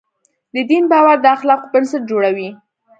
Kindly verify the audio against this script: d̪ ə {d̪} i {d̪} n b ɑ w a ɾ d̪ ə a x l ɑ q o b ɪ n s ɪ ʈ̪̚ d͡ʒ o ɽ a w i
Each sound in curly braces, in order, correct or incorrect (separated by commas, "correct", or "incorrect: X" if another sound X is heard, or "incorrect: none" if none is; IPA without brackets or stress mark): correct, incorrect: none